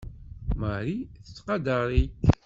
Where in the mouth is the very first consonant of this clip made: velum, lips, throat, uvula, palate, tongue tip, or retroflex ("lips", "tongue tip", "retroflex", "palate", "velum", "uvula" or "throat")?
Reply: lips